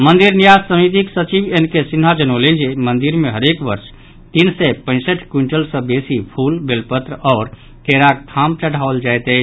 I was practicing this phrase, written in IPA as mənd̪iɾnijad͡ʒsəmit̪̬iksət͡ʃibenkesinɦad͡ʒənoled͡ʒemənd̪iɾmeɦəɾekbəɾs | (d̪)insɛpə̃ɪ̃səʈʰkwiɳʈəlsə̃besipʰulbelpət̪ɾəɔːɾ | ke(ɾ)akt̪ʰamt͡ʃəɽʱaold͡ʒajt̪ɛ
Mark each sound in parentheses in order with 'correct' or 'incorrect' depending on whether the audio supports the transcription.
incorrect: t̪, correct

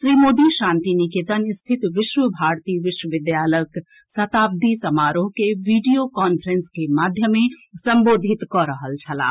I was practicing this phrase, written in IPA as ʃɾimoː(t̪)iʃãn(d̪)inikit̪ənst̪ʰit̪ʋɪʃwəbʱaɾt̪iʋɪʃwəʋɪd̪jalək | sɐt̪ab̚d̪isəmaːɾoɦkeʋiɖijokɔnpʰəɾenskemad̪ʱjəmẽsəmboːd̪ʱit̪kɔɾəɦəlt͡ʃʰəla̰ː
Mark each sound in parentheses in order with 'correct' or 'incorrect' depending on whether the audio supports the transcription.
incorrect: d̪, incorrect: t̪

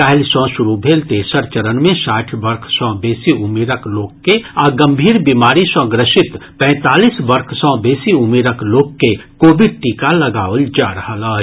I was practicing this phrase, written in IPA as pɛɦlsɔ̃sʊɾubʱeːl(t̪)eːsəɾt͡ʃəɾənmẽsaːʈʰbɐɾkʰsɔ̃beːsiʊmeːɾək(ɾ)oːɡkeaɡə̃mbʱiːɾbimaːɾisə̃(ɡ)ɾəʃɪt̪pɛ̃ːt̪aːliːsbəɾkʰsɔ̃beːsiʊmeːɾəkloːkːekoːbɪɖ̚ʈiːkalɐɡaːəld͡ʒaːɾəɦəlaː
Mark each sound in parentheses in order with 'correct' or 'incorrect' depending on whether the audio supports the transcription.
correct, incorrect: l, correct

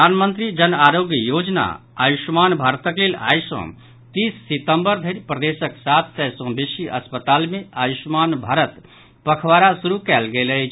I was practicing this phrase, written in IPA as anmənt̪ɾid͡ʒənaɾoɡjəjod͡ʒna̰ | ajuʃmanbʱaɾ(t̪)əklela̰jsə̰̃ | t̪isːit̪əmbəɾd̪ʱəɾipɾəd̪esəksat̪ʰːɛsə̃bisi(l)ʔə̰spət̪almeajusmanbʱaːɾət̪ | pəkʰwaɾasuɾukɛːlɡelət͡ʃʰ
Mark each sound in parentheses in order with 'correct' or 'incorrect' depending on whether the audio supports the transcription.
correct, incorrect: none

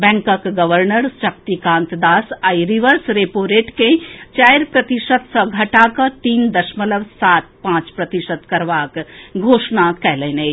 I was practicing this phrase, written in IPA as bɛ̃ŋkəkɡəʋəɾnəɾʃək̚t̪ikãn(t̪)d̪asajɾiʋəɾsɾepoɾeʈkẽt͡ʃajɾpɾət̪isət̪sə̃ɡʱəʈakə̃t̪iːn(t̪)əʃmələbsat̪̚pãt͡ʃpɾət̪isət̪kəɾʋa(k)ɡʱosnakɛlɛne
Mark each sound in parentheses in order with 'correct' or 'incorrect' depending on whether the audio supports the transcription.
correct, incorrect: d̪, correct

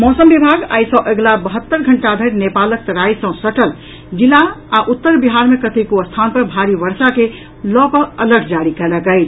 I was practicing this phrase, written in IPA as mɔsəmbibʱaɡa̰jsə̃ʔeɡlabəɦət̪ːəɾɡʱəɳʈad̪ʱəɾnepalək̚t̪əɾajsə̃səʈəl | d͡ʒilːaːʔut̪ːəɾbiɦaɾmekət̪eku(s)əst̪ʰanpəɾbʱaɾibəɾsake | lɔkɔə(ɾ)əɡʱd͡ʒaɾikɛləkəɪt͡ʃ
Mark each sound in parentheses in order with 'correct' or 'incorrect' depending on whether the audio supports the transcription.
incorrect: none, incorrect: l

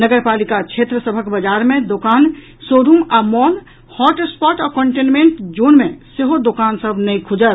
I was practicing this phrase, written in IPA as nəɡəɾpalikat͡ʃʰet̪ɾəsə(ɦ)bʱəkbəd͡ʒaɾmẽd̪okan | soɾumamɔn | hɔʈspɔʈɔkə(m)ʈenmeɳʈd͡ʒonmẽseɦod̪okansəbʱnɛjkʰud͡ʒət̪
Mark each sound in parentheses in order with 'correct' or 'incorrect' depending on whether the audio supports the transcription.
incorrect: none, incorrect: ɳ

